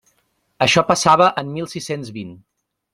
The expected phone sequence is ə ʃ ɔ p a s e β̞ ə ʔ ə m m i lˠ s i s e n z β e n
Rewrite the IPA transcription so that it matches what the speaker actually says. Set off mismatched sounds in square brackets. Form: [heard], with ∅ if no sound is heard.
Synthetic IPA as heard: ə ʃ ɔ p [ə] s [a] β̞ ə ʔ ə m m i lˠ s i s e n z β [i] n